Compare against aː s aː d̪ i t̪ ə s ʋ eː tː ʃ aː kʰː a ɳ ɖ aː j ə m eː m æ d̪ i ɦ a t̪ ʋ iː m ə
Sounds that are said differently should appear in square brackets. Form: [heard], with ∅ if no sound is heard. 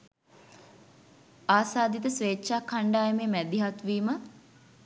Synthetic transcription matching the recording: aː s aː d̪ i t̪ ə s ʋ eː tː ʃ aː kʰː a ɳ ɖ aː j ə m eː m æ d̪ i ɦ a t̪ ʋ iː m ə